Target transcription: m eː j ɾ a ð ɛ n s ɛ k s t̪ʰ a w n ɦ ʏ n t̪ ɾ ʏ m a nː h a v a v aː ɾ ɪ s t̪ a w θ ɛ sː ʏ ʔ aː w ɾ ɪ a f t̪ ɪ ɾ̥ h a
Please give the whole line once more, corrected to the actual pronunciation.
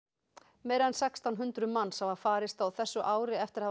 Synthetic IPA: m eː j ɾ a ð ɛ n s ɛ k s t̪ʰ a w n ɦ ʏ n t̪ ɾ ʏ m a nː s a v a f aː ɾ ɪ s t̪ a w θ ɛ sː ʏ ʔ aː w ɾ ɪ ɛ f t̪ ɪ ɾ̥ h a